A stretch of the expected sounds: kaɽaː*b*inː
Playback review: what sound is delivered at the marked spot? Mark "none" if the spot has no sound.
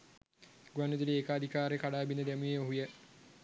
b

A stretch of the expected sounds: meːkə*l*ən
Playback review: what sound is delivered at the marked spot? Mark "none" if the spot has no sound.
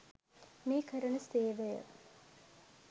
ɾ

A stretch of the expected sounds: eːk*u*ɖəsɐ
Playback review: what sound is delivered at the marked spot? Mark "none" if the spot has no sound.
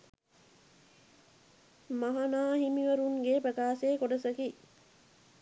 o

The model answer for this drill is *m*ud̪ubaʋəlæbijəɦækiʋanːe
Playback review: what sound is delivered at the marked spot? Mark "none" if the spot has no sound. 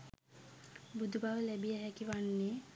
b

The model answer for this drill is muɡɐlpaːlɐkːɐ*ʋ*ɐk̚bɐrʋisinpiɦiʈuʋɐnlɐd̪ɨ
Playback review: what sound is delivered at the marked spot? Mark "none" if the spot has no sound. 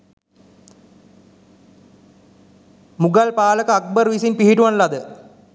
none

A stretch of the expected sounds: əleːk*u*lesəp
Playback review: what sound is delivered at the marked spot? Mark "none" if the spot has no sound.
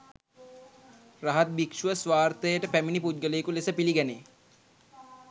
u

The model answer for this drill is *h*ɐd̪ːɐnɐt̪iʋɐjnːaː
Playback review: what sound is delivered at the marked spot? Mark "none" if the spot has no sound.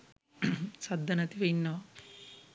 s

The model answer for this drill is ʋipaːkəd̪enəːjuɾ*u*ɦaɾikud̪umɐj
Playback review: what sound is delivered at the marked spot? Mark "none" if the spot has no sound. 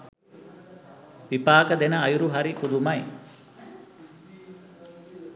u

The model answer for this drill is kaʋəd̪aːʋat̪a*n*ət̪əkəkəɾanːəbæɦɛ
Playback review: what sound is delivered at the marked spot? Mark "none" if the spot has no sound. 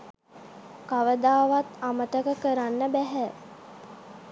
m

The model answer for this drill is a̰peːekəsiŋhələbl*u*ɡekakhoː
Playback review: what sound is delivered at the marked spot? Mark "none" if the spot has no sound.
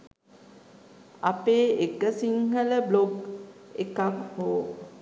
o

